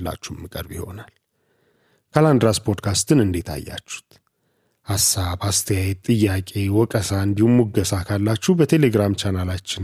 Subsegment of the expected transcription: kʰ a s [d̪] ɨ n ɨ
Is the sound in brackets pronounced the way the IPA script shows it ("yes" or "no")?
no